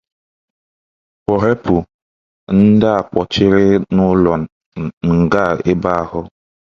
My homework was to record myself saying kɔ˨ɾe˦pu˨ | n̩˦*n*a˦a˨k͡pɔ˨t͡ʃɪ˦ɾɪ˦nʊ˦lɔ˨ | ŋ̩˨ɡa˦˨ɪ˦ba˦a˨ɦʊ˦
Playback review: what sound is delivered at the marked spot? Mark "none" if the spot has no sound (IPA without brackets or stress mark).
d